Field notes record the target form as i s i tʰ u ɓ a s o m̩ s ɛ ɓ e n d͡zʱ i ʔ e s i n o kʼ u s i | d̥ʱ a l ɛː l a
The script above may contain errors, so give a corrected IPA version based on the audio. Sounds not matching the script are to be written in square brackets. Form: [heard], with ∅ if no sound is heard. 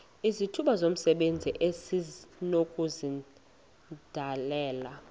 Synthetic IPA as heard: i [z] i tʰ u ɓ a [z] o m̩ s ɛ ɓ e n d͡zʱ i ʔ e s i n o kʼ u [z] i | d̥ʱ a l ɛː l a